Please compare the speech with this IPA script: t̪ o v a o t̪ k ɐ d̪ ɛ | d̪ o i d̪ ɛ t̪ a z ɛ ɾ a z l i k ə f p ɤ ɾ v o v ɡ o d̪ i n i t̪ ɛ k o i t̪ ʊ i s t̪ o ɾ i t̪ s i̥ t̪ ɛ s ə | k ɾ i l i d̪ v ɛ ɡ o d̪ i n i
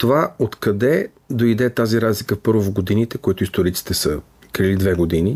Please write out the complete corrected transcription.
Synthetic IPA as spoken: t̪ o v a o t̪ k ɐ d̪ ɛ | d̪ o i d̪ ɛ t̪ a z i ɾ a z l i k ə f p ɤ ɾ v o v ɡ o d̪ i n i t̪ ɛ k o i t̪ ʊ i s t̪ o ɾ i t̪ s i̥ t̪ ɛ s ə | k ɾ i l i d̪ v ɛ ɡ o d̪ i n i